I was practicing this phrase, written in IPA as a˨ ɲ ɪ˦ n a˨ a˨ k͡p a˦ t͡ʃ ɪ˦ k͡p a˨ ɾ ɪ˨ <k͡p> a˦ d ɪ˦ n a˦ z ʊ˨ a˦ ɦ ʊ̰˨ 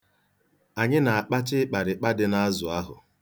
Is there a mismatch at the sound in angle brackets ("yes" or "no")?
no